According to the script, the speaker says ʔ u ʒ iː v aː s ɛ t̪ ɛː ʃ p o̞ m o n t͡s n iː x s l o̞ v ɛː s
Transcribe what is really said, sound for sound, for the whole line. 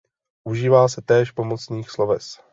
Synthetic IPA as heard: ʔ u ʒ iː v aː s ɛ t̪ ɛː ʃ p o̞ m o t͡s n iː x s l o̞ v ɛ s